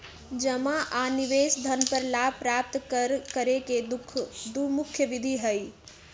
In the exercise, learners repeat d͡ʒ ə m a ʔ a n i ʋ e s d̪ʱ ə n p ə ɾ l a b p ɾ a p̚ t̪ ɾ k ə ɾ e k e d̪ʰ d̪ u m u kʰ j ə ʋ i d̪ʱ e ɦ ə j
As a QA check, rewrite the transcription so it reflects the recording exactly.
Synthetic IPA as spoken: d͡ʒ ə m a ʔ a n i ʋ e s d̪ʱ ə n p ə ɾ l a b p ɾ a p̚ t̪ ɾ k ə ɾ e k e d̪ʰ d̪ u m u kʰ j ə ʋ i d̪ʱ i ɦ ə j